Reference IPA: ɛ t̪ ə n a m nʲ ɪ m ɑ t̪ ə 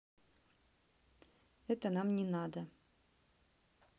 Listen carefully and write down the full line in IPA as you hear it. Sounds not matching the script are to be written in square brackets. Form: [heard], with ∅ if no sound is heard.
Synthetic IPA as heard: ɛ t̪ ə n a m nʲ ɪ [n] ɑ [d̪] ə